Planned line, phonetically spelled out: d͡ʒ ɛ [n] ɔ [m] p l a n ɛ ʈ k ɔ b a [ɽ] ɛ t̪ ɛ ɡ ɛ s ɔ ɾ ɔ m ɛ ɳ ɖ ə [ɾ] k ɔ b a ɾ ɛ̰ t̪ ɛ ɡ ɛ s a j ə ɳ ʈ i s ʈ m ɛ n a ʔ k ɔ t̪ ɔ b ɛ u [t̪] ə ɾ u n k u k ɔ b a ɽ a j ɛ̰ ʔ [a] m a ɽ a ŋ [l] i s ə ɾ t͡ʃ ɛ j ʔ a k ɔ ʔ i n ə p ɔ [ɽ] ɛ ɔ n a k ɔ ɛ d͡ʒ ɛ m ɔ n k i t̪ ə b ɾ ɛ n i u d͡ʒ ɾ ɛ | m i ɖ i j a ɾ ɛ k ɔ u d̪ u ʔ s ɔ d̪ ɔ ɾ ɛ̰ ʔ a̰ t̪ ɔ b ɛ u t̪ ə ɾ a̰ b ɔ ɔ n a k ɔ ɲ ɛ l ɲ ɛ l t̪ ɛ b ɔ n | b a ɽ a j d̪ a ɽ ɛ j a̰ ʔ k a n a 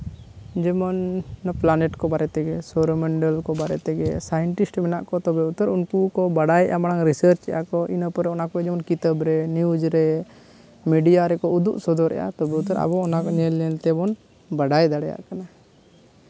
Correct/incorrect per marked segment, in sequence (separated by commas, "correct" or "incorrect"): incorrect, incorrect, incorrect, incorrect, correct, correct, incorrect, incorrect